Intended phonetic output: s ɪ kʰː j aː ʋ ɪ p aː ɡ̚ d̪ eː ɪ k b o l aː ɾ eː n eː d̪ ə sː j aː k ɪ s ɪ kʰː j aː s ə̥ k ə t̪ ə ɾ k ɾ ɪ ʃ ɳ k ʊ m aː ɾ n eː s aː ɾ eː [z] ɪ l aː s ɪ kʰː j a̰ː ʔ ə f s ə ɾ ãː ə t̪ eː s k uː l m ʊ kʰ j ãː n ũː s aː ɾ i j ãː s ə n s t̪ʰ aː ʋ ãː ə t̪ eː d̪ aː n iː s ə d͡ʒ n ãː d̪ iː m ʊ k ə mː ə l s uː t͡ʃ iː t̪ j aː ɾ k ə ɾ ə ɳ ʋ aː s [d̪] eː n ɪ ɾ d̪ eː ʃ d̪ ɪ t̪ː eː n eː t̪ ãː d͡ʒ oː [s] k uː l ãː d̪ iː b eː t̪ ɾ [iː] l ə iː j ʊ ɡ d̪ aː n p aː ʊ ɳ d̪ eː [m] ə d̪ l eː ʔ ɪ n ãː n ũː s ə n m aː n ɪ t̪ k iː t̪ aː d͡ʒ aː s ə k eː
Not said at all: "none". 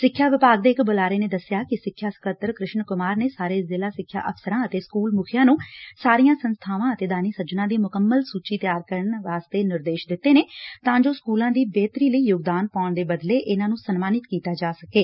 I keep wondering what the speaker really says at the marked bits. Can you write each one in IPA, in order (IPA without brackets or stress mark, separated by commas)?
z, t̪, s, iː, b